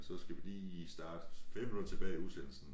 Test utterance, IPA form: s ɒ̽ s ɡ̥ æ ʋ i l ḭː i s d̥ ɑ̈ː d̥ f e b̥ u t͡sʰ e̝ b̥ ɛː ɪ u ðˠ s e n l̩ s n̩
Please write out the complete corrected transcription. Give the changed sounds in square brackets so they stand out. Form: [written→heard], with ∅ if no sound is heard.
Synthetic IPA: s ɒ̽ s ɡ̥ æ ʋ i l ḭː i s d̥ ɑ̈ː d̥ f e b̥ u t͡sʰ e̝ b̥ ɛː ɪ u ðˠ s e n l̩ s n̩